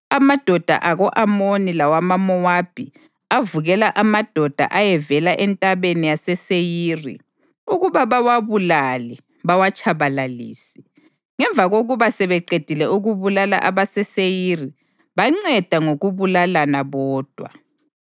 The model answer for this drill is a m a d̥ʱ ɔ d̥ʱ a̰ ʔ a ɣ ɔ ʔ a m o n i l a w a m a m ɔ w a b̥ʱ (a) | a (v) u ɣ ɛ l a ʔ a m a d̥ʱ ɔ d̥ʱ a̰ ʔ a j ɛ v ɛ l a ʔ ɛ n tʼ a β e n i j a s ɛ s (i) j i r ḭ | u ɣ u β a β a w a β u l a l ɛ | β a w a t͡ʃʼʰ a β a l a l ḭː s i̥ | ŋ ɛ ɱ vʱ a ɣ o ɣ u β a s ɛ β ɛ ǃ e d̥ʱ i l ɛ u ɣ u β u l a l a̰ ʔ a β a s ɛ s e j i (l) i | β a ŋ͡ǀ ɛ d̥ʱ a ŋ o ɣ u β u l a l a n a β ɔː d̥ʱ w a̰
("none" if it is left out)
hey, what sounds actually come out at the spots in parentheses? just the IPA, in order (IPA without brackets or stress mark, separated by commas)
i, v, e, r